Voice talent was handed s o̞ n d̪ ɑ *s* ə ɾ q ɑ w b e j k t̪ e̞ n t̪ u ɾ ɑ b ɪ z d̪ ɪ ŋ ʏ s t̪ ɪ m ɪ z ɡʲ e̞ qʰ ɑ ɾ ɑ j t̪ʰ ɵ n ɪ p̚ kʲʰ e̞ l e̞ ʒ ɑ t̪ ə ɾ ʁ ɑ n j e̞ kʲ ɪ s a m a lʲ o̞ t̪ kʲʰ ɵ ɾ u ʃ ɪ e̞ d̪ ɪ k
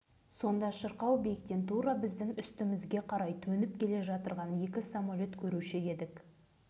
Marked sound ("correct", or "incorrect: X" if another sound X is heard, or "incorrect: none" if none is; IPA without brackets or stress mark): incorrect: ʃ